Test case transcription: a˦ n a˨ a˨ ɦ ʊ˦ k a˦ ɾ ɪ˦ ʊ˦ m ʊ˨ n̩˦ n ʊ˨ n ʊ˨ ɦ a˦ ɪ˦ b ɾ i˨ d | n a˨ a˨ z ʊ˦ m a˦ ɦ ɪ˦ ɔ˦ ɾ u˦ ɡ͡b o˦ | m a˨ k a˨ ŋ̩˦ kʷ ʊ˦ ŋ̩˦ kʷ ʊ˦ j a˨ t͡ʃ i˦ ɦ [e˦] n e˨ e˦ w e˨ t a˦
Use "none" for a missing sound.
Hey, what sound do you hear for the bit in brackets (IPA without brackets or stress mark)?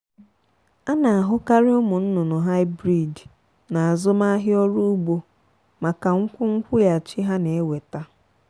a˦